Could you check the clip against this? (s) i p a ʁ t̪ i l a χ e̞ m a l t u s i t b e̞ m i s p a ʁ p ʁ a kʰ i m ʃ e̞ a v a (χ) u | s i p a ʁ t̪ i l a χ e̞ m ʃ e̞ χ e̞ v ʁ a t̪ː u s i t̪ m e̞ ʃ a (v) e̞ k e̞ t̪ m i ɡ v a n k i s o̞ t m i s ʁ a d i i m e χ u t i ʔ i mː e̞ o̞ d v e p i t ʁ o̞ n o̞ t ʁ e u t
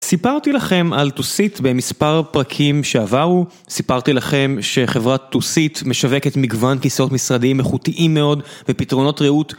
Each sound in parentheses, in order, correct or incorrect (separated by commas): correct, incorrect, correct